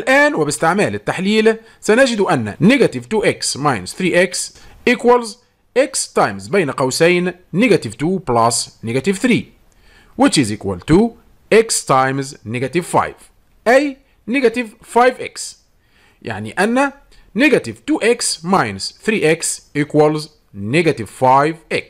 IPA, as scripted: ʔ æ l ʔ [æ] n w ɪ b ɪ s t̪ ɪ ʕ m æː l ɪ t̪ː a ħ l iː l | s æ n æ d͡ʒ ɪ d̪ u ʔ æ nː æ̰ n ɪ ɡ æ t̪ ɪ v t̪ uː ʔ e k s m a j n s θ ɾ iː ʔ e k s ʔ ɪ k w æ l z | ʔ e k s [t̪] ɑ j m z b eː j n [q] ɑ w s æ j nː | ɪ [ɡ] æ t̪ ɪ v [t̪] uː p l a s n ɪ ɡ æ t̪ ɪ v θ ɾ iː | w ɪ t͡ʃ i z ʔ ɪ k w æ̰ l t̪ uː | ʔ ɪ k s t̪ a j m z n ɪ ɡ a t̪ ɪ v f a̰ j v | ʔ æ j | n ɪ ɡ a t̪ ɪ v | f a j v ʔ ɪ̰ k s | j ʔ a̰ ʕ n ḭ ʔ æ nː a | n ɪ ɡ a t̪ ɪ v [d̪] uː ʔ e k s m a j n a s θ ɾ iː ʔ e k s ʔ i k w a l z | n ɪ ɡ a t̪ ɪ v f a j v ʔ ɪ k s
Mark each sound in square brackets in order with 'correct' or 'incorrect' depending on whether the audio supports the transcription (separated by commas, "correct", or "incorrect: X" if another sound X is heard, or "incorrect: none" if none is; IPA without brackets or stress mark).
incorrect: æː, correct, correct, correct, correct, incorrect: t̪